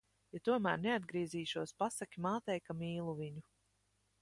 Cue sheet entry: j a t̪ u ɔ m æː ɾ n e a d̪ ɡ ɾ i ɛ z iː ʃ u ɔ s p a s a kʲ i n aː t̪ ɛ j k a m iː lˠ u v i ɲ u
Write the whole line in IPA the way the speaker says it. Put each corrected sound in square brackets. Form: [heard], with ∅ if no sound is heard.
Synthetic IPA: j a t̪ u ɔ m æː ɾ n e a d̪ ɡ ɾ i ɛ z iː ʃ u ɔ s p a s a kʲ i [m] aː t̪ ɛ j k a m iː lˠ u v i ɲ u